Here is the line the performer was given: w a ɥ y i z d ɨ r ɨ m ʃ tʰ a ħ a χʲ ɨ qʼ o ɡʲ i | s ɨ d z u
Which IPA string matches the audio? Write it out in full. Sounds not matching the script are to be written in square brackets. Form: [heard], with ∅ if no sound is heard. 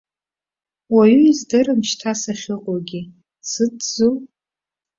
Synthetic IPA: w a ɥ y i z d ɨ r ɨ m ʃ tʰ a [s] a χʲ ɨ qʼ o ɡʲ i | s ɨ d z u